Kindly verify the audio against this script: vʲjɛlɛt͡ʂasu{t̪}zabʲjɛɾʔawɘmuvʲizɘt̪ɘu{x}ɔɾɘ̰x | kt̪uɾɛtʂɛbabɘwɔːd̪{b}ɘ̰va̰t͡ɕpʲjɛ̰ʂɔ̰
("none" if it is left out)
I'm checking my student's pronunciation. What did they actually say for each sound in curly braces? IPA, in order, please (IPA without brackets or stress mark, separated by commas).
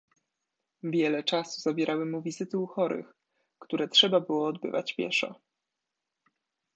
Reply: none, x, b